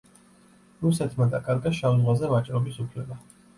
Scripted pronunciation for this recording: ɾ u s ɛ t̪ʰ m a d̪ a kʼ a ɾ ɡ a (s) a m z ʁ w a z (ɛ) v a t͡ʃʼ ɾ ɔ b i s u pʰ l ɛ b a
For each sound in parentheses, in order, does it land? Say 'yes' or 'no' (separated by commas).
no, yes